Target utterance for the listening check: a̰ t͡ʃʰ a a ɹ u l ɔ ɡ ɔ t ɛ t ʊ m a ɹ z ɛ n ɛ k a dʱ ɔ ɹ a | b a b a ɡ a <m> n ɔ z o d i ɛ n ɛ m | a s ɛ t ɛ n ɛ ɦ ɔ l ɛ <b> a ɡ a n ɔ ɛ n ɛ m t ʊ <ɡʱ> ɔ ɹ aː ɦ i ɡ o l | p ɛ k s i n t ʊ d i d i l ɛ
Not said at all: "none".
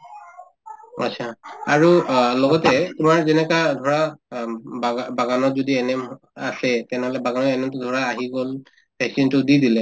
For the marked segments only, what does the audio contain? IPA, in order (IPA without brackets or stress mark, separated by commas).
none, b, dʱ